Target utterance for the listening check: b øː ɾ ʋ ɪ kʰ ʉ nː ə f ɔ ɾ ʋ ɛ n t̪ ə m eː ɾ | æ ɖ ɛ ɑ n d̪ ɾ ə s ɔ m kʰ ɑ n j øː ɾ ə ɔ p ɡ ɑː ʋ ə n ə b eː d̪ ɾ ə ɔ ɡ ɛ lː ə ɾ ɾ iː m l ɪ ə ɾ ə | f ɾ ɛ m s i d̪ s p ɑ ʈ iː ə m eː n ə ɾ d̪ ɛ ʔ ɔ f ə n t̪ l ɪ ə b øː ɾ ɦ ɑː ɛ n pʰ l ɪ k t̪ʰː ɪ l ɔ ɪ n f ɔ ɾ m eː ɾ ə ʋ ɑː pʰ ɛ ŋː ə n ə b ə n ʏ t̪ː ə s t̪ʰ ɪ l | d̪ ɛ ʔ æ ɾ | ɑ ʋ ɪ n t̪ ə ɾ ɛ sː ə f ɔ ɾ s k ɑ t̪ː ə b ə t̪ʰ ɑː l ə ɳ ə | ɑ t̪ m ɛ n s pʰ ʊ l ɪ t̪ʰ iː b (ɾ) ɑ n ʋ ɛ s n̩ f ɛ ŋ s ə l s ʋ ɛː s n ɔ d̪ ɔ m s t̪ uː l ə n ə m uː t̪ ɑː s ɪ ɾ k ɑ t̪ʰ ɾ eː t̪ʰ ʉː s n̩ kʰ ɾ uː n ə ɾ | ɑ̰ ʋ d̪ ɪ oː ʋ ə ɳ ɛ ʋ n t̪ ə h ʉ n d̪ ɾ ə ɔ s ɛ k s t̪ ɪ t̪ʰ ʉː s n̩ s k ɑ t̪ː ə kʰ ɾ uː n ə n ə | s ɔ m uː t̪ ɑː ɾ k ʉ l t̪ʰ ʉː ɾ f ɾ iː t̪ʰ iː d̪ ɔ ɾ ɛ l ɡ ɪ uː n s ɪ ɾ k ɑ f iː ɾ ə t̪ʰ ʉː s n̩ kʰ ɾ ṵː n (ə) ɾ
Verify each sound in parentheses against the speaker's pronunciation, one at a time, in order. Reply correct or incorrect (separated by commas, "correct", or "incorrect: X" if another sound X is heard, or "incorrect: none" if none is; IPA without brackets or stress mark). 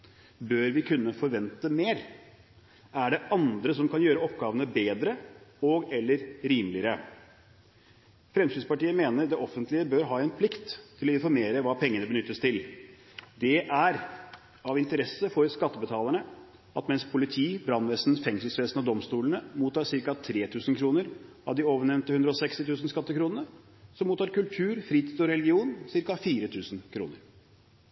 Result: correct, correct